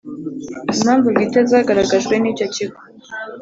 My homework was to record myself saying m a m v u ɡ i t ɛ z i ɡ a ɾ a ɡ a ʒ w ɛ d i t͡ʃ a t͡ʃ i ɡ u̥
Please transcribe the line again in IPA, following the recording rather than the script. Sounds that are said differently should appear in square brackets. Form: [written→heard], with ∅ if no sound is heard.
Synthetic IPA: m a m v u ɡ i t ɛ z [i→a] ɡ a ɾ a ɡ a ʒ w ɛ [d→n] i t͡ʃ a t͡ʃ i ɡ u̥

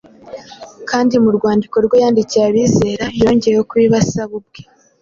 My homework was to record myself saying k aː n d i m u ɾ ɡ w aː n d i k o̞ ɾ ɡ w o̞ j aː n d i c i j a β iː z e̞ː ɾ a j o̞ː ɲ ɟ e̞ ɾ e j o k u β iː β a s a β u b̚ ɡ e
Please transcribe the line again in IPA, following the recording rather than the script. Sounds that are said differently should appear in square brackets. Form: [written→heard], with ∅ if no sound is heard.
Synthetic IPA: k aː n d i m u ɾ ɡ w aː n d i k o̞ ɾ ɡ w o̞ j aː n d i c i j a β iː z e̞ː ɾ a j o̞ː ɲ ɟ e̞ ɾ e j o k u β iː β a s a β u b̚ ɡ e

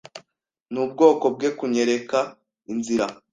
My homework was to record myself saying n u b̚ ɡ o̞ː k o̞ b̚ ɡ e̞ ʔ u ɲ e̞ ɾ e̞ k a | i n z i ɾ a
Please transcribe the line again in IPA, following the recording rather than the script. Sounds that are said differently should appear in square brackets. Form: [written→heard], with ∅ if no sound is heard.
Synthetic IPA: n u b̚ ɡ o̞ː k o̞ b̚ ɡ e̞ [ʔ→k] u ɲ e̞ ɾ e̞ k a | i n z i ɾ a

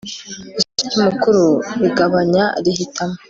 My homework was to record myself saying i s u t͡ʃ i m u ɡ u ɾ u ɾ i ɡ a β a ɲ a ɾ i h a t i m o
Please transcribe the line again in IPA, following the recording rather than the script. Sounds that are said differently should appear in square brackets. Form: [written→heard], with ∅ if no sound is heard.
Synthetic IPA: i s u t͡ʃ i m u [ɡ→k] u ɾ u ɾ i ɡ a β a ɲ a ɾ i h [a→i] t [i→a] m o

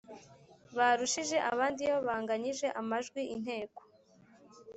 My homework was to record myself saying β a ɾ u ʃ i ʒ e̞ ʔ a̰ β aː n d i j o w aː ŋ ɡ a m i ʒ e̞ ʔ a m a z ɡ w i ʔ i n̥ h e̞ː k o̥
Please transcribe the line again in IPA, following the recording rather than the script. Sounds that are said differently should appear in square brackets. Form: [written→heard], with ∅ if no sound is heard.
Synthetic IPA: β a ɾ u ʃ i ʒ e̞ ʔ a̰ β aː n d i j o [w→β] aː ŋ ɡ a [m→ɲ] i ʒ e̞ ʔ a m a [z→ʒ] ɡ w i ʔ i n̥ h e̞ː k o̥

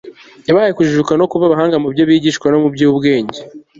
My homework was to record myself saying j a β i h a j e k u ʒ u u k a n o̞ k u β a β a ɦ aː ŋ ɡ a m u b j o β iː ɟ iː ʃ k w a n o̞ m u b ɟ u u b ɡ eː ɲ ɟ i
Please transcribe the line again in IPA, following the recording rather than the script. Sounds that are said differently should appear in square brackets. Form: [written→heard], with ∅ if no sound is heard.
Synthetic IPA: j a β [i→a] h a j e k u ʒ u u k a n o̞ k u β a β a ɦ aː ŋ ɡ a m u b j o β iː ɟ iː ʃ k w a n o̞ m u b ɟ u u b ɡ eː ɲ ɟ [i→e]

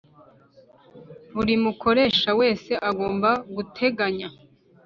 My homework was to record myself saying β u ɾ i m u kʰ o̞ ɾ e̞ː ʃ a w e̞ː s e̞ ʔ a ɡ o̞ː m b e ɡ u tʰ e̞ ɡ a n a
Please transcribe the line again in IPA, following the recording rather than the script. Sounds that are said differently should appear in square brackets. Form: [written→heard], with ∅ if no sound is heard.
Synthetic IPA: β u ɾ i m u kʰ o̞ ɾ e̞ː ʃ a w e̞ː s e̞ ʔ a ɡ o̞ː m b [e→a] ɡ u tʰ e̞ ɡ a [n→ɲ] a

